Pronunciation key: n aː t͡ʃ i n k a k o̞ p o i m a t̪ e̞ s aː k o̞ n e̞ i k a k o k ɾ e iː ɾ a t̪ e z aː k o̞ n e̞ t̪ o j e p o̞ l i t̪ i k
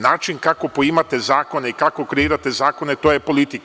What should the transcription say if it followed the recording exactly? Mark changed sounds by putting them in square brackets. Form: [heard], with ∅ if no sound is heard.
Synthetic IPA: n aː t͡ʃ i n k a k o̞ p o i m a t̪ e̞ [z] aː k o̞ n e̞ i k a k o k ɾ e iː ɾ a t̪ e z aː k o̞ n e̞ t̪ o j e p o̞ l i t̪ i k